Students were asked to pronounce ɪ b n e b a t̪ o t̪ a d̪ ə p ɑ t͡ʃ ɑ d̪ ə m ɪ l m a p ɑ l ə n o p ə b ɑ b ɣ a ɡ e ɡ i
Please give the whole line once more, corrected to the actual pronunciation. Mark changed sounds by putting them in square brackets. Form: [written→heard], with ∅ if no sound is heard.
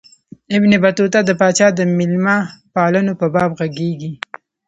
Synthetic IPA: ɪ b n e b a t̪ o t̪ a d̪ ə p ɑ t͡ʃ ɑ d̪ ə m ɪ l m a p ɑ l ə n o p ə b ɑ b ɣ a ɡ e ɡ i